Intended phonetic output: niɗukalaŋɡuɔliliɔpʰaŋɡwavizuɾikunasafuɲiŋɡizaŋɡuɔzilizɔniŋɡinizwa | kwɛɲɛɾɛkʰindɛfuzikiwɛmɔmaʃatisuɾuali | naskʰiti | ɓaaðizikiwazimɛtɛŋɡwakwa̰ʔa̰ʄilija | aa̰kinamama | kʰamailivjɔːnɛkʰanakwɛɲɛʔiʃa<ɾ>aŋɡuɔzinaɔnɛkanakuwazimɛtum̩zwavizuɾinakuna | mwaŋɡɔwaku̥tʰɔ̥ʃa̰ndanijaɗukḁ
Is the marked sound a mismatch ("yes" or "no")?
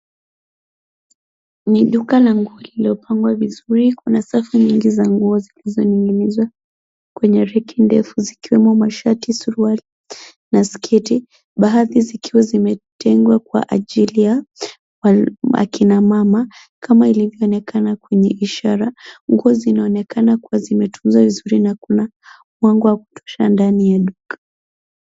no